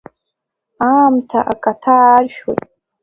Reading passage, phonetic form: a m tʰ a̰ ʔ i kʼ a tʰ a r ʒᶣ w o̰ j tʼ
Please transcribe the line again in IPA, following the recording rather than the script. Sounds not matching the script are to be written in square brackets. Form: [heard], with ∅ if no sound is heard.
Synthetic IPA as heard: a m tʰ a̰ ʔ [a] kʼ a tʰ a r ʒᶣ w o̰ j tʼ